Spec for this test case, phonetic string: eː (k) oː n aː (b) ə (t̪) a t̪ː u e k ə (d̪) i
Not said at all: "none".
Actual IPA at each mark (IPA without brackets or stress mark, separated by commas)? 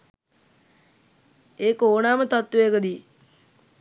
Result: k, m, t̪, d̪